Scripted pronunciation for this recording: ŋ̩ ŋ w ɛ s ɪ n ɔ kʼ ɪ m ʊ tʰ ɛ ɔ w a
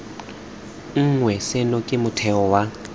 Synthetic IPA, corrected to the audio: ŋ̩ ŋ w ɛ s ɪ n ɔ kʼ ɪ m ʊ tʰ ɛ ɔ w a